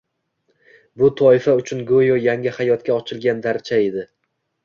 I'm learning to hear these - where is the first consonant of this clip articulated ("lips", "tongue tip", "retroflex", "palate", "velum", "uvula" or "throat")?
lips